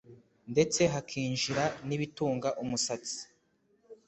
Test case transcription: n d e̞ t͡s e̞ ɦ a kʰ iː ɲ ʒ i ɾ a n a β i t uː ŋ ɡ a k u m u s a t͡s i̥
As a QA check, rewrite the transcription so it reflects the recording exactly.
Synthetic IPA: n d e̞ t͡s e̞ ɦ a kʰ iː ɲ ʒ i ɾ a n i β i t uː ŋ ɡ a ʔ u m u s a t͡s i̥